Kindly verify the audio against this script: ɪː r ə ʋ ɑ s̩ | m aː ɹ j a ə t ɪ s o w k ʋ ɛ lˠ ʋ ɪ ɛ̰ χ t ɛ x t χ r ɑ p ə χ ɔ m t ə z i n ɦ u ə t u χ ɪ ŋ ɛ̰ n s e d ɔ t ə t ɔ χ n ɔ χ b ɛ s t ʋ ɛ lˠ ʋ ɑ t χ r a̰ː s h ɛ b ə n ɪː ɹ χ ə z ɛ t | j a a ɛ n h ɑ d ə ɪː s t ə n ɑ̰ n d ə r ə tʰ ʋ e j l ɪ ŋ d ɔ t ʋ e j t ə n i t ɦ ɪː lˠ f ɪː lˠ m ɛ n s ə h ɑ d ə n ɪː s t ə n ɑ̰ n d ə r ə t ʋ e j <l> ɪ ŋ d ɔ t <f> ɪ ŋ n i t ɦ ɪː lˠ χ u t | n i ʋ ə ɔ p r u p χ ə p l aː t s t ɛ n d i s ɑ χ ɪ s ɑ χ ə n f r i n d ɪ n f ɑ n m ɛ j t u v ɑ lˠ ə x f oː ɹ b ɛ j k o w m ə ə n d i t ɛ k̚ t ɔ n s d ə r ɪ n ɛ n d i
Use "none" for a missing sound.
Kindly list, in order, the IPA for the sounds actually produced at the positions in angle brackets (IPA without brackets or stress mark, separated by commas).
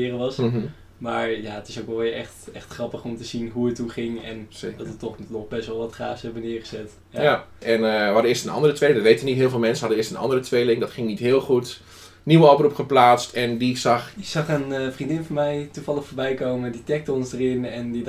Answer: l, χ